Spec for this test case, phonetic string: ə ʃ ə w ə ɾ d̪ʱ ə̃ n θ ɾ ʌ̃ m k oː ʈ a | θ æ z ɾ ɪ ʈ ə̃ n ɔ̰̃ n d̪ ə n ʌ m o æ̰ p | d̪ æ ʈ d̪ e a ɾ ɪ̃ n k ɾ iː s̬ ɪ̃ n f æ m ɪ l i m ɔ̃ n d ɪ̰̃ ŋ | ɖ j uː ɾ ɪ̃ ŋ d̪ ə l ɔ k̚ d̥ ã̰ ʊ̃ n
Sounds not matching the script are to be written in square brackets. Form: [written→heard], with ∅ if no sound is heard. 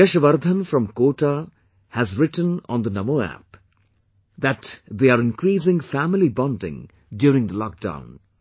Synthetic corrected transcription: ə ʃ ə [w→ʋ] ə ɾ d̪ʱ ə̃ n [θ→f] ɾ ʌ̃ m k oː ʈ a | [θ→h] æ z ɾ ɪ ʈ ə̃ n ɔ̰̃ n d̪ ə n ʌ m o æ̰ p | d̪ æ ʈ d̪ e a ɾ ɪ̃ n k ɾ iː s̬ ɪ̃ [n→ŋ] f æ m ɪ l i [m→b] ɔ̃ n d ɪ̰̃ ŋ | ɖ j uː ɾ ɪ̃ ŋ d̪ ə l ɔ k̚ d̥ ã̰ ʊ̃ n